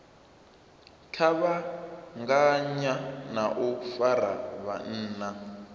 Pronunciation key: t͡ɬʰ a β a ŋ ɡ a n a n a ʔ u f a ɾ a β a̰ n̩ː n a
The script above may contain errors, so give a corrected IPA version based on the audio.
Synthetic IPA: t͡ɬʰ a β a ŋ ɡ a ɲ a n a ʔ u f a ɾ a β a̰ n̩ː n a